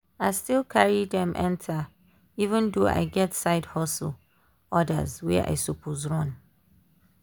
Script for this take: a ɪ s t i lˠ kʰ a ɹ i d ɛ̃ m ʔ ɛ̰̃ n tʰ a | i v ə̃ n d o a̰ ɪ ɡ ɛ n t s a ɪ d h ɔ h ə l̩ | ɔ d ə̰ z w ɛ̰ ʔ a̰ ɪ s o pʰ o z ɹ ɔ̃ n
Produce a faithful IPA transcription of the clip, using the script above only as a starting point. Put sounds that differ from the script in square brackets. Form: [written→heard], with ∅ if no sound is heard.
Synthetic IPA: a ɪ s t i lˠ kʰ a ɹ i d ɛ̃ m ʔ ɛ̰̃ n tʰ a | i v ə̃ n d o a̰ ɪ ɡ ɛ [n→∅] t s a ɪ d h ɔ [h→s] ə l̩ | ɔ d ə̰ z w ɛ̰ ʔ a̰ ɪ s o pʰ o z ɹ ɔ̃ n

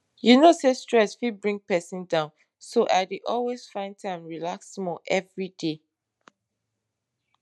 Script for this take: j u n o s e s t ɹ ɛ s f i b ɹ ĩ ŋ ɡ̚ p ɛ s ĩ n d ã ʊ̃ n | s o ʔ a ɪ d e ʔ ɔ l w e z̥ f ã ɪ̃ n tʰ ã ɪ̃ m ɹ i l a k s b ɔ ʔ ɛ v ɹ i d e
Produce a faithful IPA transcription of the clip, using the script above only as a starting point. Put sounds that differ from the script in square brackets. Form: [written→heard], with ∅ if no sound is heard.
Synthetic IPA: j u n o s e s t ɹ ɛ s f i b ɹ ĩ ŋ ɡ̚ p ɛ s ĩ n d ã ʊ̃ n | s o ʔ a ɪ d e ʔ ɔ l w e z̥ f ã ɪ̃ n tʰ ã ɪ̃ m ɹ i l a k s [b→m] ɔ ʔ ɛ v ɹ i d e

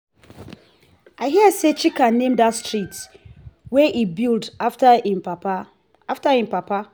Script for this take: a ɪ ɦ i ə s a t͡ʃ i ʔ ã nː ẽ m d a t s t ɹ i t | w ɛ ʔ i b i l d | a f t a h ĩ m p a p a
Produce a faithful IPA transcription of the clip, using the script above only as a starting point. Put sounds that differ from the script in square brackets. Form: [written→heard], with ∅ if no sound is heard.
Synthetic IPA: a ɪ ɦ i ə s [a→e] t͡ʃ i [ʔ→k] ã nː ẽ m d a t s t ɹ i t | w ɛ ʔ i b i l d | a f t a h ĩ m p a p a

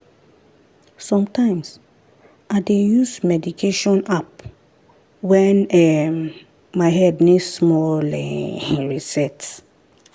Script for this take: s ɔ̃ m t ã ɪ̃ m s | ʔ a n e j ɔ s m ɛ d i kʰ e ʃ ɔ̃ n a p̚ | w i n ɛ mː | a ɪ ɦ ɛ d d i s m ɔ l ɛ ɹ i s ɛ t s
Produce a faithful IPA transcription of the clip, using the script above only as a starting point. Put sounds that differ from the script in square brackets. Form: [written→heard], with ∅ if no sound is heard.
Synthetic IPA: s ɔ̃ m t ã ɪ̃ m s | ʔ a [n→d] e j [ɔ→u] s m ɛ d i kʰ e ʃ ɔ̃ n a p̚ | w [i→ɛ] n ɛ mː | a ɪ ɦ ɛ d [d→n] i s m ɔ l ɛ ɹ i s ɛ t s

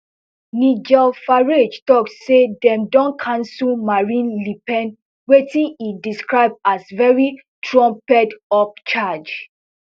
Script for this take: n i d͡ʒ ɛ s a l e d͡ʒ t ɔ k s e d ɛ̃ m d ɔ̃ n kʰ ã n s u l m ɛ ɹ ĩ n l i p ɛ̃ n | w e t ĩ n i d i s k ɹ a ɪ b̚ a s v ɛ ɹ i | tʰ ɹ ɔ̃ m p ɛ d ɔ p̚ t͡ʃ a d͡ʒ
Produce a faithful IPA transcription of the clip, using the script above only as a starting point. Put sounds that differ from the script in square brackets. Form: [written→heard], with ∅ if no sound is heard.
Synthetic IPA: n i d͡ʒ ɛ [s→f] a [l→ɹ] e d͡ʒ t ɔ k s e d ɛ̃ m d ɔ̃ n kʰ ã n s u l m [ɛ→a] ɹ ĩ n l i p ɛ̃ n | w e t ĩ n i d i s k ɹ a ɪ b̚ a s v ɛ ɹ i | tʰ ɹ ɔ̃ m p ɛ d ɔ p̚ t͡ʃ a d͡ʒ

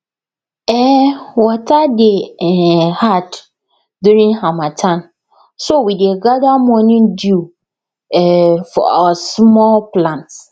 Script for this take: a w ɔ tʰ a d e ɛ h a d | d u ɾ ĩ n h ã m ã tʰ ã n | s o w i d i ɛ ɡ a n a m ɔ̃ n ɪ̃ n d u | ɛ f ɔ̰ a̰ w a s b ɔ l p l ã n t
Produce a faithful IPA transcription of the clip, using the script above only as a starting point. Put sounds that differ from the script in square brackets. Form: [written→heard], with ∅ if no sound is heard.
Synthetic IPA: [a→ɛ] w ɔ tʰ a d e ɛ h a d | d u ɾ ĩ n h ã m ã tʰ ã n | s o w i d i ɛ ɡ a [n→d] a m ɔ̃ n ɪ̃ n d u | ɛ f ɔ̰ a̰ w a s [b→m] ɔ l p l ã n t

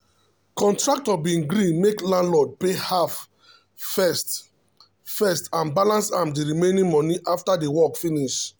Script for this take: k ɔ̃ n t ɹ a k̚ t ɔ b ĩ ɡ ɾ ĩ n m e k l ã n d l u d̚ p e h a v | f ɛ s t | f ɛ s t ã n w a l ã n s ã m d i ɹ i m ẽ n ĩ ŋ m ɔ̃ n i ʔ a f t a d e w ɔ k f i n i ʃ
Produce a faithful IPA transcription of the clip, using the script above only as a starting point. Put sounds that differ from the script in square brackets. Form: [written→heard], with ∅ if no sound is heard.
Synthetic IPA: k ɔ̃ n t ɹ a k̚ t ɔ b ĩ ɡ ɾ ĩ n m e k l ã n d l [u→ɔ] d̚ p e h a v | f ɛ s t | f ɛ s t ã n [w→b] a l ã n s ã m d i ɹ i m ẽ n ĩ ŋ m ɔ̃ n i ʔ a f t a d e w ɔ k f i n i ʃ

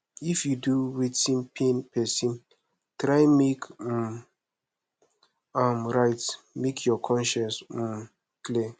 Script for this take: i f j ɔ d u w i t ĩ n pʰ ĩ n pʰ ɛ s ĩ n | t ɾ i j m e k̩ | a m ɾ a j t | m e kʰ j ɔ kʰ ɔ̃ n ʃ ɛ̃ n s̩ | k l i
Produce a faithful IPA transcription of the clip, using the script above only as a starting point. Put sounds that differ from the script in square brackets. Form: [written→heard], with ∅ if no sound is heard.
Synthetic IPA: i f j [ɔ→u] d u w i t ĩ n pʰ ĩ n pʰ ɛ s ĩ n | t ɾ [i→a] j m e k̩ | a m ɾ a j t | m e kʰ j ɔ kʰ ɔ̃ n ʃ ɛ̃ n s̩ | k l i

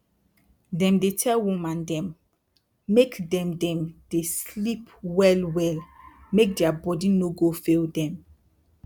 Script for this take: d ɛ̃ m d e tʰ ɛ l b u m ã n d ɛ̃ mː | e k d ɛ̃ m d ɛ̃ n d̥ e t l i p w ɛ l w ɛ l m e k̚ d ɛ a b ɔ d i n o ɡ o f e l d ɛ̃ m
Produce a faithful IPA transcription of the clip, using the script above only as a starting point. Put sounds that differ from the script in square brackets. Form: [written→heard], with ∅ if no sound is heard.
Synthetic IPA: d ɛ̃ m d e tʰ ɛ l [b→w] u m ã n d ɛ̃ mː | e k d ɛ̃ m d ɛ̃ [n→m] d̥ e [t→s] l i p w ɛ l w ɛ l m e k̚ d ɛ a b ɔ d i n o ɡ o f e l d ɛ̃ m

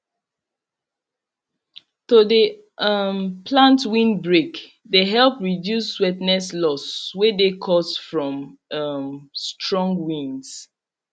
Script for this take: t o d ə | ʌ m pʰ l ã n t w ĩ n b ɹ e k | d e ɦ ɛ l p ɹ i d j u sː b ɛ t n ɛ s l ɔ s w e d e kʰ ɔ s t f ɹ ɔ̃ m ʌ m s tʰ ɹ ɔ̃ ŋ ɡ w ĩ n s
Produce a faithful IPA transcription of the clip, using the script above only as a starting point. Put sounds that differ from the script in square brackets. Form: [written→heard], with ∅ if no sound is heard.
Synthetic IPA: t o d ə | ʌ m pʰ l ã n t w ĩ n b ɹ e k | d e ɦ ɛ l p ɹ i d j u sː [b→w] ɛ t n ɛ s l ɔ s w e d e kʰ ɔ s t f ɹ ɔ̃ m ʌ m s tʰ ɹ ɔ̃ ŋ ɡ w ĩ n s

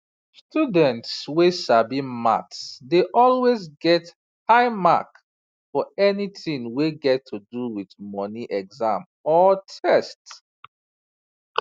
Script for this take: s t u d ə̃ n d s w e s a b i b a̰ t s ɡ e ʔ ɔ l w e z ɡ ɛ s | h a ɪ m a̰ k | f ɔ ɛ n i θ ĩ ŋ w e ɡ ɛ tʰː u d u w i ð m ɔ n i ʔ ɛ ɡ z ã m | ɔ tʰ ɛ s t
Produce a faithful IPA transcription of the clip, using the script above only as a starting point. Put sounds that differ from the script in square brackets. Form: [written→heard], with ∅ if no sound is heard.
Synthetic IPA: s t u d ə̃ n [d→t] s w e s a b i [b→m] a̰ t s [ɡ→d] e ʔ ɔ l w e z ɡ ɛ [s→t] | h a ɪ m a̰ k | f ɔ ɛ n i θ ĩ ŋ w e ɡ ɛ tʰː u d u w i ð m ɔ n i ʔ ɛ ɡ z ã m | ɔ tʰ ɛ s t

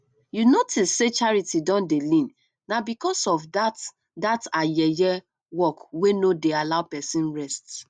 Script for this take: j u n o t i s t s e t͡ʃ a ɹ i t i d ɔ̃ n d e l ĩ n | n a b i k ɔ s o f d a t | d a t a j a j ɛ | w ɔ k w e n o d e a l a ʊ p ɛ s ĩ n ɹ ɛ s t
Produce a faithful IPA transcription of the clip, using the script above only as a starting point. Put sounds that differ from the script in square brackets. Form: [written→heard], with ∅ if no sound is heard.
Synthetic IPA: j u n o t i s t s e t͡ʃ a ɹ i t i d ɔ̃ n d e l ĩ n | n a b i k ɔ s [o→ɔ] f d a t | d a t a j [a→ɛ] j ɛ | w ɔ k w e n o d e a l a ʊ p ɛ s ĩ n ɹ ɛ s t

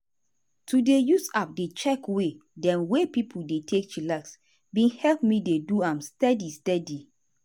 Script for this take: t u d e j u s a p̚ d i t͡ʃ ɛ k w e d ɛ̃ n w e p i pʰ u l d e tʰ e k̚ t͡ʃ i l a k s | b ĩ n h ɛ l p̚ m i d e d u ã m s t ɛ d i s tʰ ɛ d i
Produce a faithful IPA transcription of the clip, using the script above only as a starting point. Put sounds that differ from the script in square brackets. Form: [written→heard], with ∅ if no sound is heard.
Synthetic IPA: t u d e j u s a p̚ d [i→e] t͡ʃ ɛ k w e d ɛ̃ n w e p i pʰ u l d e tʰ e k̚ t͡ʃ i l a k s | b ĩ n h ɛ l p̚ m i d e d u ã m s t ɛ d i s [tʰ→t] ɛ d i

